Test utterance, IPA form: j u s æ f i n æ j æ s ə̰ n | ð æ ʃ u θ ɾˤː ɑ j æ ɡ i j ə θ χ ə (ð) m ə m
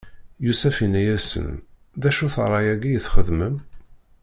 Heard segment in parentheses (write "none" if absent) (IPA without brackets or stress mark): ð